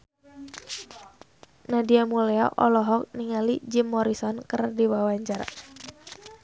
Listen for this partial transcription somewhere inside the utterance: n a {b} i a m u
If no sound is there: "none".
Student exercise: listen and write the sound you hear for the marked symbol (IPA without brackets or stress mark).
d